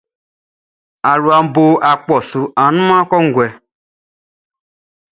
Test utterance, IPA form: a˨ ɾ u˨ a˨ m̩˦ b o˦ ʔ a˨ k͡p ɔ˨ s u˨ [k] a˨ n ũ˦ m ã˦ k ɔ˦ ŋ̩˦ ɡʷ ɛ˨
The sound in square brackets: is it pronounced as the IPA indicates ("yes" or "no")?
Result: no